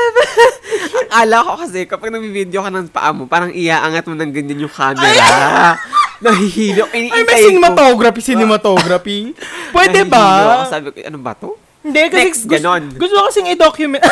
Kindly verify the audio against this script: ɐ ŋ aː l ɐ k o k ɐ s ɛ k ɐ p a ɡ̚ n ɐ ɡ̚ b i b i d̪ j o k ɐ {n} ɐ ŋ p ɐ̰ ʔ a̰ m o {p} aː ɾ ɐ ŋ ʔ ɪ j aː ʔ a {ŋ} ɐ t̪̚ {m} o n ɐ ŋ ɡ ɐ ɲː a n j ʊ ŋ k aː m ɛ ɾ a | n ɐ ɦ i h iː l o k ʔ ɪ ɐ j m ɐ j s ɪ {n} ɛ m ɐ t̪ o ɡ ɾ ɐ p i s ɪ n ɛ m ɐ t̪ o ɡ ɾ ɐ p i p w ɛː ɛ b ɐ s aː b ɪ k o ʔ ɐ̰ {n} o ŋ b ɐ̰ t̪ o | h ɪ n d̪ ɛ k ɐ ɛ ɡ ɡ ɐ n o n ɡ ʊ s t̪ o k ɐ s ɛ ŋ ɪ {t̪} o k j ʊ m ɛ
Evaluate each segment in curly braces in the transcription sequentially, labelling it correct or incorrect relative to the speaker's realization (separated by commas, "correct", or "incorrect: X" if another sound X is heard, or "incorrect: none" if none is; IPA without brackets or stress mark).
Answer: correct, correct, correct, correct, correct, correct, incorrect: d̪